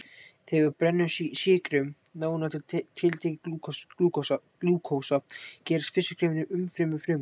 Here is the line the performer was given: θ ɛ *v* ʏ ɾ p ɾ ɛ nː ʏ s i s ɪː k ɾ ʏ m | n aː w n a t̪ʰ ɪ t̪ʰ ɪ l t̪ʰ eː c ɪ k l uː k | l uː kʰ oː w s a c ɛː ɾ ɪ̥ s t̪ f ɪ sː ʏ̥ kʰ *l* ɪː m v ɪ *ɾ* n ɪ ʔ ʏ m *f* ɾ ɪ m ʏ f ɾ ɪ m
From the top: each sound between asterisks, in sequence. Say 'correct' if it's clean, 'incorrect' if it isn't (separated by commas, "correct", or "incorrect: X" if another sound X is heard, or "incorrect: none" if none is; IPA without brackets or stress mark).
incorrect: ɣ, incorrect: ɾ, incorrect: none, correct